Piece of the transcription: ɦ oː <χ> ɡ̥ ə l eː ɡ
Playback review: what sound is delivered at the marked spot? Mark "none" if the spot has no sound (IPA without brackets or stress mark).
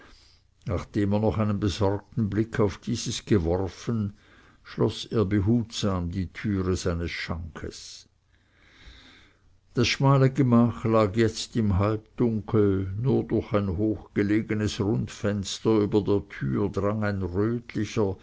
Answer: x